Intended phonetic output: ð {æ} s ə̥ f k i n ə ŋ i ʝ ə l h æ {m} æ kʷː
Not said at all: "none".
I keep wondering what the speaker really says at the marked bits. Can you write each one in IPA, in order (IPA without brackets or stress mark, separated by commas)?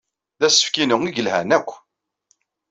æ, n